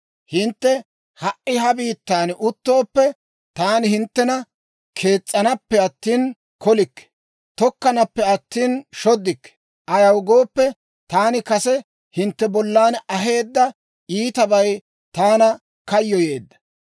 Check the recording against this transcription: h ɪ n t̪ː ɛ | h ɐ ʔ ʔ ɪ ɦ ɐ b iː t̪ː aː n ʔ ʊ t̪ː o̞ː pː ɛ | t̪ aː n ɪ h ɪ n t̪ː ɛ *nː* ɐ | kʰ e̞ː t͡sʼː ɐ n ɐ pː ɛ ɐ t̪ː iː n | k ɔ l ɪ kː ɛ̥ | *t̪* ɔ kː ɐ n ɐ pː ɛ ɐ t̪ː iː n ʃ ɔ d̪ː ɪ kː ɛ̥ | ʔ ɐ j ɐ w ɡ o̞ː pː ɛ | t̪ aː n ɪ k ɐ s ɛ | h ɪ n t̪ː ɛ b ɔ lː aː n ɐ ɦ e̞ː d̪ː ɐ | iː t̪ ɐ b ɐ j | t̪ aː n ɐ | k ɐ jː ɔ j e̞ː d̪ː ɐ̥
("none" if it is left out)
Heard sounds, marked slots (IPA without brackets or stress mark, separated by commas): n, t̪